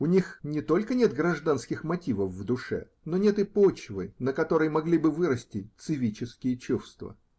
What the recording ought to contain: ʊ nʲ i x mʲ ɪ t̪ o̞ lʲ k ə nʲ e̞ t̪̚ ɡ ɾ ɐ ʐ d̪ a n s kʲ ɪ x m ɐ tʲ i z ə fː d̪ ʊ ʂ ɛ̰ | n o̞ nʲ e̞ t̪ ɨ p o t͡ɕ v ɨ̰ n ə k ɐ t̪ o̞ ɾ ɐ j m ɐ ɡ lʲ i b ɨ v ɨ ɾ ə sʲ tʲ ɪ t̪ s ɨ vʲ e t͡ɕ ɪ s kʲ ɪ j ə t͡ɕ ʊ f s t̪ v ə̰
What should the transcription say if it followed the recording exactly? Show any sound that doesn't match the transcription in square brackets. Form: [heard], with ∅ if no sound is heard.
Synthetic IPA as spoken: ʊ nʲ i x [nʲ] ɪ t̪ o̞ lʲ k ə nʲ e̞ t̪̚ ɡ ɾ ɐ ʐ d̪ a n s kʲ ɪ x m ɐ tʲ i [v] ə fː d̪ ʊ ʂ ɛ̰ | n o̞ nʲ e̞ t̪ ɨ p o t͡ɕ v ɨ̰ n ə k ɐ t̪ o̞ ɾ [ə] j m ɐ ɡ lʲ i b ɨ v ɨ ɾ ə sʲ tʲ ɪ t̪ s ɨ vʲ [i] t͡ɕ ɪ s kʲ ɪ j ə t͡ɕ [u] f s t̪ v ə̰